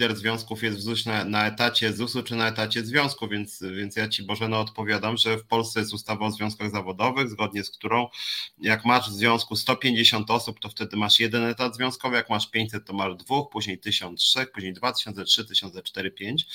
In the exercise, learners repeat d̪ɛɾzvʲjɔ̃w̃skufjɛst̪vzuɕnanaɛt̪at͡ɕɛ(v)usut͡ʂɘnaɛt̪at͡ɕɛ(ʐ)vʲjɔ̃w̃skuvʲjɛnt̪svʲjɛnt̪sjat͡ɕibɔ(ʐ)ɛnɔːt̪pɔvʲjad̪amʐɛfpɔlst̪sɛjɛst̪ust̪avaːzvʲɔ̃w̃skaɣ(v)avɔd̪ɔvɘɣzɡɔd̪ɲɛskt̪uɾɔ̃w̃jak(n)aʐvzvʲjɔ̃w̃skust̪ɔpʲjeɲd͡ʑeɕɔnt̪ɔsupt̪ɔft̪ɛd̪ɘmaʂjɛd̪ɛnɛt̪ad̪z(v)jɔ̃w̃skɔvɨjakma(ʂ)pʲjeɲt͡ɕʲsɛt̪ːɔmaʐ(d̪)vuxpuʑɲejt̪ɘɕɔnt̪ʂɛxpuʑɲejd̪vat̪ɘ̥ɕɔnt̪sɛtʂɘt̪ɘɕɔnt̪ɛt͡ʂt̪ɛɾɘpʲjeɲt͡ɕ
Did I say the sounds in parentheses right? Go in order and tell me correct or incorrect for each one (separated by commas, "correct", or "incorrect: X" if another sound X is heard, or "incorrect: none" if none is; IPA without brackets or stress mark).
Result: incorrect: z, incorrect: z, correct, incorrect: z, incorrect: m, correct, correct, correct